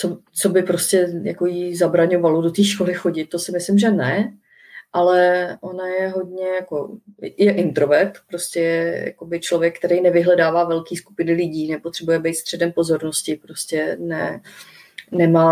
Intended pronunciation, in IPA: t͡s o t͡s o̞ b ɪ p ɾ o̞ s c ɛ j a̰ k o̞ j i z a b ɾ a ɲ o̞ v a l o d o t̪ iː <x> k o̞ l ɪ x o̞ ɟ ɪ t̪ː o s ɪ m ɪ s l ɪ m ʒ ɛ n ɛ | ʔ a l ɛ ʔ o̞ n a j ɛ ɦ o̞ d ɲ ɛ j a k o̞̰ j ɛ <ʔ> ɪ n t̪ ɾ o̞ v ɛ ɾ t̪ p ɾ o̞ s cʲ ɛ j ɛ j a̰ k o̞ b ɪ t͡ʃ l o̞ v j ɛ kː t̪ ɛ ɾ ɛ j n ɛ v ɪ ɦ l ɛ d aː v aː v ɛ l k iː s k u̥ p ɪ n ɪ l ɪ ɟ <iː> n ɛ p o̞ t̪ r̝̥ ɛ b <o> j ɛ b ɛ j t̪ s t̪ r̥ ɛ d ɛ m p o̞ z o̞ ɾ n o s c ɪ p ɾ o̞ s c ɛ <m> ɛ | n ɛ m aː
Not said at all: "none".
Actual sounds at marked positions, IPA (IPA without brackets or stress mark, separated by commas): ʃ, ʔ, iː, u, n